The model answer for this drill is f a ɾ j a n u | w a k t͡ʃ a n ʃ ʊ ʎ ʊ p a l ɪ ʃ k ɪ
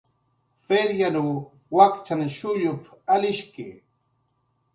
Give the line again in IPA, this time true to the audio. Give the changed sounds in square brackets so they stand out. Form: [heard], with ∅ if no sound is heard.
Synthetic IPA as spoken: f [e] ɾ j a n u | w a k t͡ʃ a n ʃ ʊ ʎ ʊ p a l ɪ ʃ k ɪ

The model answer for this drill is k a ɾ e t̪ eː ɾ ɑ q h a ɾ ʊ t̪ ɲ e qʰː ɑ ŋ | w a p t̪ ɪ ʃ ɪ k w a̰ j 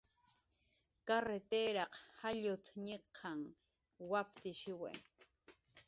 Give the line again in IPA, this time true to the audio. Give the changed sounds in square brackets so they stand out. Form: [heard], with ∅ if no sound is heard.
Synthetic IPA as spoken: k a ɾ e t̪ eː ɾ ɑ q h a [ʎ] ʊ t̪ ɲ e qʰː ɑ ŋ | w a p t̪ ɪ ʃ ɪ [∅] w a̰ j

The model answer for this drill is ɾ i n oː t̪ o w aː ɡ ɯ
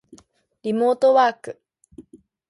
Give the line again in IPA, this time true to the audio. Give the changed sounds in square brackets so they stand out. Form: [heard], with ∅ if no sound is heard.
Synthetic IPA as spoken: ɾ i [m] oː t̪ o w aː [k] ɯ

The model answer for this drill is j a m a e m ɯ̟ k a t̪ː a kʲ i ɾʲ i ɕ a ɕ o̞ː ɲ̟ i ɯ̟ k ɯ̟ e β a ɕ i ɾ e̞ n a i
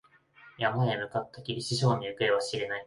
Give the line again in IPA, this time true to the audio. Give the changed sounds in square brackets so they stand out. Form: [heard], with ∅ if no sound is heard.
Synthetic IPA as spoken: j a m a e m ɯ̟ k a t̪ː a kʲ i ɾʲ i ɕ [i] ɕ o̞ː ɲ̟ i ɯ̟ k ɯ̟ e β a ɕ i ɾ e̞ n a i

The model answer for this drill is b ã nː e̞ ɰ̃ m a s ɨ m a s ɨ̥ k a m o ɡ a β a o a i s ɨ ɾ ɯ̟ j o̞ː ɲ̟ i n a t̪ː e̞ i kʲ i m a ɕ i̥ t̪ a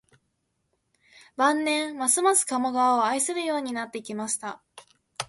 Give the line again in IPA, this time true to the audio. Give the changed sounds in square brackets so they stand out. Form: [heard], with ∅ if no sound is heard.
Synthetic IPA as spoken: b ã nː [ẽ̞] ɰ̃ m a s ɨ m a s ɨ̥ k a m o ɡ a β a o a i s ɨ ɾ ɯ̟ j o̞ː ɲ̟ i n a t̪ː e̞ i kʲ i m a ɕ i̥ t̪ a

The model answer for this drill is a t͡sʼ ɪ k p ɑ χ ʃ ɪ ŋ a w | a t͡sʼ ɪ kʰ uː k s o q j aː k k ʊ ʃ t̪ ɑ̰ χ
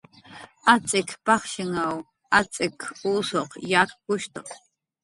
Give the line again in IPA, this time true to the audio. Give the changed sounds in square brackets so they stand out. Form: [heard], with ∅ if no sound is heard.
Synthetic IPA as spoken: a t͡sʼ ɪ k p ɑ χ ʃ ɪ ŋ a w | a t͡sʼ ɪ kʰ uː [∅] s o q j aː k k ʊ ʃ t̪ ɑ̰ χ

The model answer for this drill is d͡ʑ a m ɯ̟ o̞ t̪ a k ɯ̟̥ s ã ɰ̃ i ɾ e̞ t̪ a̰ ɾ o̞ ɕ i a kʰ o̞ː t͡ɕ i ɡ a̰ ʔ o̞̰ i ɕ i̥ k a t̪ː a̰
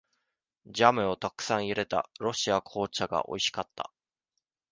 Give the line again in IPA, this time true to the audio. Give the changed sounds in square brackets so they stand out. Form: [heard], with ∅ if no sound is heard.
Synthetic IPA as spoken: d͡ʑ a m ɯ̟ o̞ t̪ a k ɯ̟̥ s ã ɰ̃ i ɾ e̞ t̪ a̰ ɾ o̞ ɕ i a kʰ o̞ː t͡ɕ [a] ɡ a̰ ʔ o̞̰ i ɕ i̥ k a t̪ː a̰

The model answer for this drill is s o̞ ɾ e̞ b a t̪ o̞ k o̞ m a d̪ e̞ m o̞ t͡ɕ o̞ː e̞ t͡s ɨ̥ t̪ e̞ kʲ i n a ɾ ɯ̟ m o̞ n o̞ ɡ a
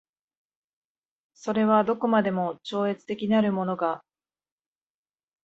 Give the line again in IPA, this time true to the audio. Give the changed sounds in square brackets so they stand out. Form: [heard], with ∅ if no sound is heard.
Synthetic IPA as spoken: s o̞ ɾ e̞ [β] a [d̪] o̞ k o̞ m a d̪ e̞ m o̞ t͡ɕ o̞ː e̞ t͡s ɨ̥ t̪ e̞ kʲ i n a ɾ ɯ̟ m o̞ n o̞ ɡ a

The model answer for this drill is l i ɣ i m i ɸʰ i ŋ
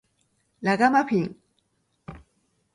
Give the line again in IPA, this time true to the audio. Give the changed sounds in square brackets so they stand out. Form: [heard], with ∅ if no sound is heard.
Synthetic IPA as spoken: l [a] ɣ [a] m [a] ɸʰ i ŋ

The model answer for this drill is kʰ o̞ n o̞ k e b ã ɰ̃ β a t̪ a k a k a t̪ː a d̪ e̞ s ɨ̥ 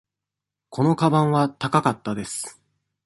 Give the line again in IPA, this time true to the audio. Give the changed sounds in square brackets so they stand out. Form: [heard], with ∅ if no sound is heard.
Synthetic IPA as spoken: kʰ o̞ n o̞ k [a] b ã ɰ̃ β a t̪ a k a k a t̪ː a d̪ e̞ s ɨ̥

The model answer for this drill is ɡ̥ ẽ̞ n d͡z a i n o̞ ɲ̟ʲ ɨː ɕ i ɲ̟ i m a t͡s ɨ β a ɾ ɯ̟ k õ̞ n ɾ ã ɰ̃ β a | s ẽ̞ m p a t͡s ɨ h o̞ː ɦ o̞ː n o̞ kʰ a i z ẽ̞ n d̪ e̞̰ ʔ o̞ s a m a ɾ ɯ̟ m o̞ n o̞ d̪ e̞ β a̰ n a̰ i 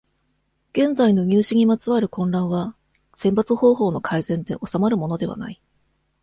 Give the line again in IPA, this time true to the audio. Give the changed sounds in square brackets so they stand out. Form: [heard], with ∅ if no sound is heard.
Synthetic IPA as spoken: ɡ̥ ẽ̞ n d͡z a i n o̞ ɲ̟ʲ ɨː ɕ i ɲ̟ i m a t͡s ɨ β a ɾ ɯ̟ k õ̞ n ɾ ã ɰ̃ β a | s ẽ̞ m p a t͡s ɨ h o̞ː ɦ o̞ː n o̞ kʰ a i z ẽ̞ n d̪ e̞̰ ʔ o̞ s a m a ɾ ɯ̟ m o̞ n o̞ d̪ e̞ β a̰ n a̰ i

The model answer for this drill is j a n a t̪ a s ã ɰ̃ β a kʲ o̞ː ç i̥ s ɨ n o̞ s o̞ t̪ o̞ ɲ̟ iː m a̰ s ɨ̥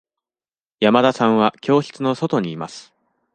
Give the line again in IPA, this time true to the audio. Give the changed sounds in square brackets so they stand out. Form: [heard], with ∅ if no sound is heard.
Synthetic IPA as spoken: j a [m] a [d̪] a s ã ɰ̃ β a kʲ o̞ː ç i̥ [t͡s] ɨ n o̞ s o̞ t̪ o̞ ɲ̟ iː m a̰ s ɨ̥

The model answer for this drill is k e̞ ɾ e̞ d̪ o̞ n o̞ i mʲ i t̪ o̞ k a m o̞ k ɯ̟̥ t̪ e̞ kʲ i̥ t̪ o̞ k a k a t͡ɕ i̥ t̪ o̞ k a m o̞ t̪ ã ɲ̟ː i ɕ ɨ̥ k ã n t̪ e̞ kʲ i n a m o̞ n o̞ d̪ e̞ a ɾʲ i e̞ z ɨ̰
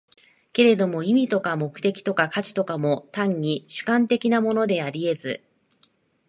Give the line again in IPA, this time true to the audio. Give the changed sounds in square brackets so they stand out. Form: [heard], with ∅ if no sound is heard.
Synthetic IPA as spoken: k e̞ ɾ e̞ d̪ o̞ [m] o̞ i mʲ i t̪ o̞ k a m o̞ k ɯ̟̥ t̪ e̞ kʲ i̥ t̪ o̞ k a k a t͡ɕ i̥ t̪ o̞ k a m o̞ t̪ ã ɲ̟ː i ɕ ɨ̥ k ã n t̪ e̞ kʲ i n a m o̞ n o̞ d̪ e̞ a ɾʲ i e̞ z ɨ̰

